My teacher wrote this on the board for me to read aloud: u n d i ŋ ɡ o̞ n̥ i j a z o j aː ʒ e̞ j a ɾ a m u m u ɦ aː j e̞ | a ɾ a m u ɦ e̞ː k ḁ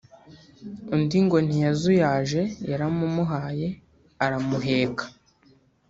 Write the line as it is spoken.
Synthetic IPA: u n d i ŋ ɡ o̞ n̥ i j a z u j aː ʒ e̞ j a ɾ a m u m u ɦ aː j e̞ | a ɾ a m u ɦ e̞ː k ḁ